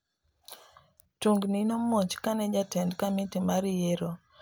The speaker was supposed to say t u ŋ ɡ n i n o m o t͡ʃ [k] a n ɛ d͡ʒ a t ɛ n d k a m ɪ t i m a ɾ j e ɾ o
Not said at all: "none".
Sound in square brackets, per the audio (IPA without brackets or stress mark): k